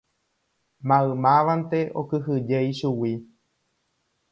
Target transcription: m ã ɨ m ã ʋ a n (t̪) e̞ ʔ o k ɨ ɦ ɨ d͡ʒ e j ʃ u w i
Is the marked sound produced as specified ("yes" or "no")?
yes